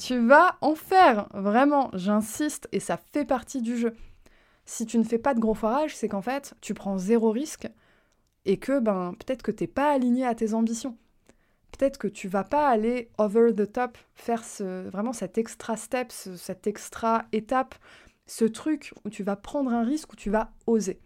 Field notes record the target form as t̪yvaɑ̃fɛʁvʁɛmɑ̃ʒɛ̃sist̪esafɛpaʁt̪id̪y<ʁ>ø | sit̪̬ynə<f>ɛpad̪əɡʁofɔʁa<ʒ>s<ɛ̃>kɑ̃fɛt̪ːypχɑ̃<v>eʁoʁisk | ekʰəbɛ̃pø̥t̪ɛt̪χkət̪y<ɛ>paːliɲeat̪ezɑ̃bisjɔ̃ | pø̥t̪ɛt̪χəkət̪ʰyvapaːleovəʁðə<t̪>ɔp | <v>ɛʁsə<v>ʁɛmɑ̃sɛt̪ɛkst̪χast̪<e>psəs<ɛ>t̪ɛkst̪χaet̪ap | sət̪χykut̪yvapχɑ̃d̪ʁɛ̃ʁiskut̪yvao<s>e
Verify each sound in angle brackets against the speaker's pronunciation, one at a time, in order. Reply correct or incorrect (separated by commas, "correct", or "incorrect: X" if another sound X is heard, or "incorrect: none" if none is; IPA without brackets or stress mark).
incorrect: ʒ, correct, correct, incorrect: ɛ, incorrect: z, correct, correct, incorrect: f, correct, incorrect: ɛ, correct, incorrect: z